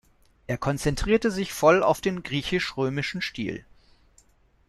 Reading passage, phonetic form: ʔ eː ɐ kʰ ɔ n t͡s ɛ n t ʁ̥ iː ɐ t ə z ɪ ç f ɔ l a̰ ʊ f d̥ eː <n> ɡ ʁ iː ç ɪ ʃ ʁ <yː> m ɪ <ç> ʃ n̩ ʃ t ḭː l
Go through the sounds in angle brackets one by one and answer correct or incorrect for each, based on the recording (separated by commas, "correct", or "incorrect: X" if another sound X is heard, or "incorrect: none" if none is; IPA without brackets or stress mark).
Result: correct, incorrect: øː, incorrect: none